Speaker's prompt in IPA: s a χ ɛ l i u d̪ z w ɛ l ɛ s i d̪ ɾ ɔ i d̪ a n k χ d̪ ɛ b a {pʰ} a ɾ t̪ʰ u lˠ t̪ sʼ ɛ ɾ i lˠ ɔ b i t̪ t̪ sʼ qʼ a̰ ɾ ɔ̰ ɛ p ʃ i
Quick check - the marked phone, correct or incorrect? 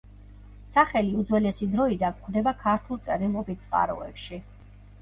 incorrect